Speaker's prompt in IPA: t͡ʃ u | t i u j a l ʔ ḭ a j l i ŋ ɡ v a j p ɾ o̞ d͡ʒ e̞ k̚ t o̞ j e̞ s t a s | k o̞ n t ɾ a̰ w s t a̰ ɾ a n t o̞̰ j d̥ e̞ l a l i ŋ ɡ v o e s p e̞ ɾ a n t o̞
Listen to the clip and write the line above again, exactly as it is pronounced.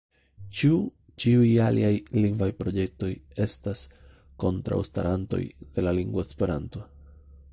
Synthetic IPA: t͡ʃ u | t͡ʃ i u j a l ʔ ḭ a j l i ŋ ɡ v a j p ɾ o̞ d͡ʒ e̞ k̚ t o̞ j e̞ s t a s | k o̞ n t ɾ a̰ w s t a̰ ɾ a n t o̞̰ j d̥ e̞ l a l i ŋ ɡ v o e s p e̞ ɾ a n t o̞